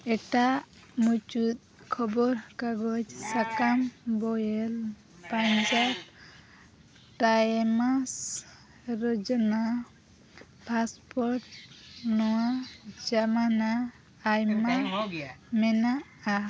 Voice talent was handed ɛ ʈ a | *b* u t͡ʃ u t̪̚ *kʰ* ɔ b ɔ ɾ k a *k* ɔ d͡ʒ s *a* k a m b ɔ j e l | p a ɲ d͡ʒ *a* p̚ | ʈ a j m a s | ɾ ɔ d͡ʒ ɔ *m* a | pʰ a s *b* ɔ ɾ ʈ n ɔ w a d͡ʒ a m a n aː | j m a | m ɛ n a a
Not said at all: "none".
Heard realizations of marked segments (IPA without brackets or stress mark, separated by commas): m, kʰ, ɡ, a, a, n, p